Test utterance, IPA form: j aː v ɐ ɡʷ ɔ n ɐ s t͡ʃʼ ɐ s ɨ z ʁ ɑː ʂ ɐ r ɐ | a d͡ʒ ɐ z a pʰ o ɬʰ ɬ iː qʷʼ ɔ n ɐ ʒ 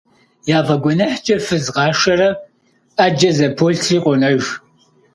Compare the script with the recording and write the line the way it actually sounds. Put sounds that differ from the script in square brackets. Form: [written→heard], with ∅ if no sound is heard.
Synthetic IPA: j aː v ɐ ɡʷ ɔ n ɐ [s→ħ] t͡ʃʼ ɐ [s→f] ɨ z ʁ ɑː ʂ ɐ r ɐ | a d͡ʒ ɐ z [a→ɐ] pʰ o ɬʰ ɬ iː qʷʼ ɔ n ɐ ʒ

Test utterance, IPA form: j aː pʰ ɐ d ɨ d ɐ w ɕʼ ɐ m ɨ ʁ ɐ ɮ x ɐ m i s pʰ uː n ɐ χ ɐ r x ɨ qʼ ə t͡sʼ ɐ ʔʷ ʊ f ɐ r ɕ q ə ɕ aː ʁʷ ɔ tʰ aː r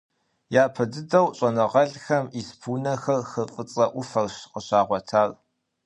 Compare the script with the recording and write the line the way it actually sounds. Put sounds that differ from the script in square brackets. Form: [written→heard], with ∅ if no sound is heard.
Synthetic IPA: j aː pʰ ɐ d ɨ d ɐ w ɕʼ ɐ [m→n] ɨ ʁ ɐ ɮ x ɐ m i s pʰ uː n ɐ [χ→x] ɐ r x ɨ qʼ ə t͡sʼ ɐ ʔʷ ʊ f ɐ r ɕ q ə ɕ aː ʁʷ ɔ tʰ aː r

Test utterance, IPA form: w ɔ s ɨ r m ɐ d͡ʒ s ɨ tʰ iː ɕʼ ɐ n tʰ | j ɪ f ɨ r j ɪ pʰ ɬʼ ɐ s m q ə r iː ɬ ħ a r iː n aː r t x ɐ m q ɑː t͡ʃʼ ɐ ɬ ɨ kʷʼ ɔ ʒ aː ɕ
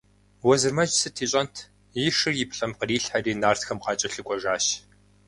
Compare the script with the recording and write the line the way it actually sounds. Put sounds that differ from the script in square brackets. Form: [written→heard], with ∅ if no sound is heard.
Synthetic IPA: w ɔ [s→z] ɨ r m ɐ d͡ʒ s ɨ tʰ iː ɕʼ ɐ n tʰ | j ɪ [f→ʂ] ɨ r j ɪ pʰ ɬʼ ɐ [s→∅] m q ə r iː ɬ ħ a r iː n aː r t x ɐ m q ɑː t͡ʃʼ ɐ ɬ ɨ kʷʼ ɔ ʒ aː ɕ

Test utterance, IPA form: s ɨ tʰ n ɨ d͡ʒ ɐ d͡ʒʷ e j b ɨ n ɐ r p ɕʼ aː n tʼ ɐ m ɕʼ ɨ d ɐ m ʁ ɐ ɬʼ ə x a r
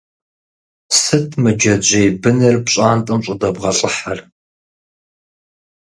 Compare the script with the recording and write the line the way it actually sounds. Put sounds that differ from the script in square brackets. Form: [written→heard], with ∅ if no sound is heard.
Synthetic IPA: s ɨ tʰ [n→m] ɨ d͡ʒ ɐ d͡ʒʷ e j b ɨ n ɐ r p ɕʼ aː n tʼ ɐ m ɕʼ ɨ d ɐ [m→b] ʁ ɐ ɬʼ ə [x→ħ] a r

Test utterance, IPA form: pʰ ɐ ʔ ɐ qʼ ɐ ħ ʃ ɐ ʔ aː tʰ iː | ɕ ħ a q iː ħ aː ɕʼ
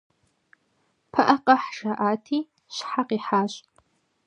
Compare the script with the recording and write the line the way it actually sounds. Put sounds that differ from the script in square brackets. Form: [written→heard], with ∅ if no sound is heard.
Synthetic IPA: pʰ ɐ ʔ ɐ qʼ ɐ ħ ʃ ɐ ʔ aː tʰ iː | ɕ ħ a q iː ħ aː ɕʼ

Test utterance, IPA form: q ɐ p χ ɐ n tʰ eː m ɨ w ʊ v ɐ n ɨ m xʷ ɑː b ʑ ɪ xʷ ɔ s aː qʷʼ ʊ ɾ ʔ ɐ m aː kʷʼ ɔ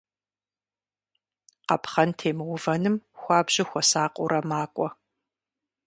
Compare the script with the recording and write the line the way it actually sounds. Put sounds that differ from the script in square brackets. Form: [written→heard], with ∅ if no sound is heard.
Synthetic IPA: q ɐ p χ ɐ n tʰ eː m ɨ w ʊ v ɐ n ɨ m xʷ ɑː b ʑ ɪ xʷ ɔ s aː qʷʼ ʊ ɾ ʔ ɐ m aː kʷʼ ɔ

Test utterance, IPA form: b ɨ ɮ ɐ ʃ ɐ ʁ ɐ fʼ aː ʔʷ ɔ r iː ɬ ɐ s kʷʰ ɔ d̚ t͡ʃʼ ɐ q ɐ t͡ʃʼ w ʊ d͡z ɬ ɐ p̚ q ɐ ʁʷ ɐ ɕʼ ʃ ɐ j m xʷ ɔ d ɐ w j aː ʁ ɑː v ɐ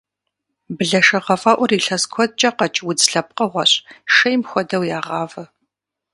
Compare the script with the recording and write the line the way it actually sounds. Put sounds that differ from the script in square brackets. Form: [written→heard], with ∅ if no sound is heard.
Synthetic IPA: b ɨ ɮ ɐ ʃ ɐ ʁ ɐ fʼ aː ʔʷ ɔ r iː ɬ ɐ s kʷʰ ɔ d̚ t͡ʃʼ ɐ q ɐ t͡ʃʼ w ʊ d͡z ɬ ɐ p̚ q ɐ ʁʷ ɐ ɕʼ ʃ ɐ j m xʷ ɔ d ɐ w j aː ʁ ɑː v ɐ

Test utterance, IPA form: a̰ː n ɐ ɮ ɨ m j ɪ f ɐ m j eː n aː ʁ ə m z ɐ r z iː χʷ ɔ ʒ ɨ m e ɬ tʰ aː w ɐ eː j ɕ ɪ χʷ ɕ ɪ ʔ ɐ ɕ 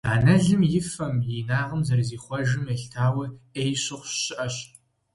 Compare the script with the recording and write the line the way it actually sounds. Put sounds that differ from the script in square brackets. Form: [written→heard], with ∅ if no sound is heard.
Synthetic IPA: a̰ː n ɐ ɮ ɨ m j ɪ f ɐ m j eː n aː ʁ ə m z ɐ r z iː χʷ ɔ ʒ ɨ m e ɬ tʰ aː w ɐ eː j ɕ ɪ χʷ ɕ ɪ ʔ ɐ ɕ

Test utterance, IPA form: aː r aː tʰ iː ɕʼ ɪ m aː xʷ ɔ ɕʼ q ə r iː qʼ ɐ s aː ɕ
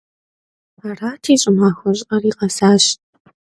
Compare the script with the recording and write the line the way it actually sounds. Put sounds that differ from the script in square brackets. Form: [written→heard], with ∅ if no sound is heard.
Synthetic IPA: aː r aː tʰ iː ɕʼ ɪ m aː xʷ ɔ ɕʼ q [ə→ɐ] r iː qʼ ɐ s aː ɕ

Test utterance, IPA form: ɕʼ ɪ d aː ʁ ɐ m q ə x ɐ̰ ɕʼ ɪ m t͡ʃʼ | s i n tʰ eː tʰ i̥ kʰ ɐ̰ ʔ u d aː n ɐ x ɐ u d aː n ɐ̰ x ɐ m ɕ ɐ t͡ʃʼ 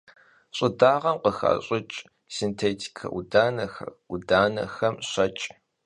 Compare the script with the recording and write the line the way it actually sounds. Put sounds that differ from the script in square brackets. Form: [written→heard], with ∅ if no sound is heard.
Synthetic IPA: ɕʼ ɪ d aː ʁ ɐ m q ə x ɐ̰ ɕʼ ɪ [m→∅] t͡ʃʼ | s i n tʰ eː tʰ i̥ kʰ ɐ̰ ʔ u d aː n ɐ x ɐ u d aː n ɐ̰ x ɐ m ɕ ɐ t͡ʃʼ

